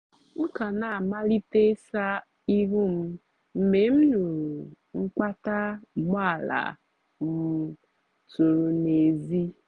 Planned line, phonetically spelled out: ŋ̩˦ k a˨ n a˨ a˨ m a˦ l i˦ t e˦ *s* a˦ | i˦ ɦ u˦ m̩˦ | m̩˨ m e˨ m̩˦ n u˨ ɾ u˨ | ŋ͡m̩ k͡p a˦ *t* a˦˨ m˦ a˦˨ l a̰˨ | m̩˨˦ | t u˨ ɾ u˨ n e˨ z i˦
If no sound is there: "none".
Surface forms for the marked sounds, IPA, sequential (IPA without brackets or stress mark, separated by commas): s, t